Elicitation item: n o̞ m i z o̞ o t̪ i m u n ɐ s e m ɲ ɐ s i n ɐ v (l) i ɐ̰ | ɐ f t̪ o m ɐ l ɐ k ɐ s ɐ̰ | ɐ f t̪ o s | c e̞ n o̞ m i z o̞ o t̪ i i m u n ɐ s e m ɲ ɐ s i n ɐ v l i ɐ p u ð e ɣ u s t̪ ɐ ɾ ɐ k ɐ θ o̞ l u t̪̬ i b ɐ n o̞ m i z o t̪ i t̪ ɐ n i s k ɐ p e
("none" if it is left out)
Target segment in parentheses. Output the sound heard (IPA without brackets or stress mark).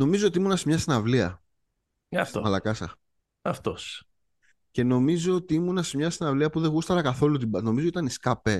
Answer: l